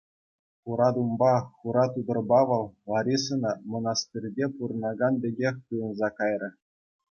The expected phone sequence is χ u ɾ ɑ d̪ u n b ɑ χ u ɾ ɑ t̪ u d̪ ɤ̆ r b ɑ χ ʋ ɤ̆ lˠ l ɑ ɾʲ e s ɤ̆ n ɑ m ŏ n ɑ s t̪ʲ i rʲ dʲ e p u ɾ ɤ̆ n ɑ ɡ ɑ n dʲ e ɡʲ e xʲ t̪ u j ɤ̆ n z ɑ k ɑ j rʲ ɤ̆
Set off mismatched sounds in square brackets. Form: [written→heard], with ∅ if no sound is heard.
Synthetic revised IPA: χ u ɾ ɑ d̪ u [n→m] b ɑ χ u ɾ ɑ t̪ u d̪ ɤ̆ r b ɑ [χ→∅] ʋ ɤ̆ lˠ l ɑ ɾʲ [e→i] s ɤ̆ n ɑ m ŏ n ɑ s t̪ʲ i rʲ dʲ e p u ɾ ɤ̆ n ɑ ɡ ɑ n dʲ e ɡʲ e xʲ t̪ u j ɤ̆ n z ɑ k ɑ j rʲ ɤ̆